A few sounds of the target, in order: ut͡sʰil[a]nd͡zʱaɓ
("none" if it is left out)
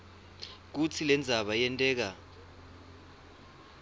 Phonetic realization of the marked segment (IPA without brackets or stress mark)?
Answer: ɛ